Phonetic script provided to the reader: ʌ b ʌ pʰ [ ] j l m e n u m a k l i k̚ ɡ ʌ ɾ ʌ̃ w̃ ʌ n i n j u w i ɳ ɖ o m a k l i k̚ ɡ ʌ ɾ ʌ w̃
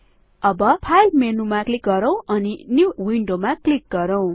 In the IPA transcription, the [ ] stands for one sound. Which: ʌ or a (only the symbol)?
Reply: a